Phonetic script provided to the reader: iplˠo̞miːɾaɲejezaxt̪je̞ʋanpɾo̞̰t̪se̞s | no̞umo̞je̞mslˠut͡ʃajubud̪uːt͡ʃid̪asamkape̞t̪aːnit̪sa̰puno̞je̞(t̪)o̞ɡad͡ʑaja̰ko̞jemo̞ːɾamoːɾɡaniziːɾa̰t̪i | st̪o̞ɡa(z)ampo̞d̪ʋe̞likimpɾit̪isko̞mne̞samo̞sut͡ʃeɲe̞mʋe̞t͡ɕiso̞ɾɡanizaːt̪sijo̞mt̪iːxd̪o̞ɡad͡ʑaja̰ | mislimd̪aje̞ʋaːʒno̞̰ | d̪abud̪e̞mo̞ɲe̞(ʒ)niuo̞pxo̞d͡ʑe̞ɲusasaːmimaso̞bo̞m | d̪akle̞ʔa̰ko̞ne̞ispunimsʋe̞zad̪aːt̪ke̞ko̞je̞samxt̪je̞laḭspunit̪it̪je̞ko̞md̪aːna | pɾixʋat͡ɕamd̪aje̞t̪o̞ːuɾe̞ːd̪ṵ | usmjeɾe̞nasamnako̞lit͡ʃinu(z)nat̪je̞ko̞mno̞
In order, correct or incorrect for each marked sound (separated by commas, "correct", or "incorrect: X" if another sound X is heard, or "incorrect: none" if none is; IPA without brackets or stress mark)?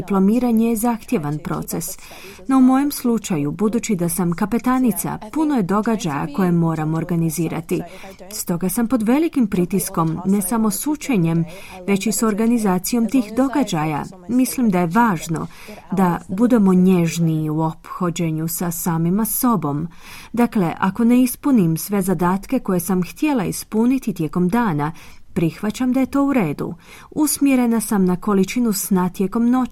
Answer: incorrect: d̪, incorrect: s, correct, incorrect: s